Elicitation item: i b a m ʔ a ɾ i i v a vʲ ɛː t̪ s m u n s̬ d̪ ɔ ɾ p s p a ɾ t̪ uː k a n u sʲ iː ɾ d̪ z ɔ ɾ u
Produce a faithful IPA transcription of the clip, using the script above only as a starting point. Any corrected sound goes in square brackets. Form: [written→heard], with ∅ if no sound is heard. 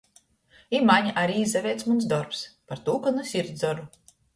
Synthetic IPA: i [b→m] a [m→ɲ] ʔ a ɾ i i [v→z] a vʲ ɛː t̪ s m u n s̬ d̪ ɔ ɾ p s p a ɾ t̪ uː k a n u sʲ [iː→i] ɾ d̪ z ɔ ɾ u